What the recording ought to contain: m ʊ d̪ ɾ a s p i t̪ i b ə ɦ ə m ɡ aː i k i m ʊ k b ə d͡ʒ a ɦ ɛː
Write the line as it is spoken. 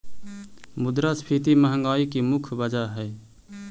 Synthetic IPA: m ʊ d̪ ɾ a s pʰ i t̪ i m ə ɦ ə ŋ ɡ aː i k i m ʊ kʰ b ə d͡ʒ a ɦ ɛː